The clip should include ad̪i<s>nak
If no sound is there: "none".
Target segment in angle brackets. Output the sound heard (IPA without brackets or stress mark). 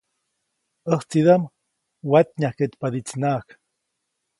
t͡s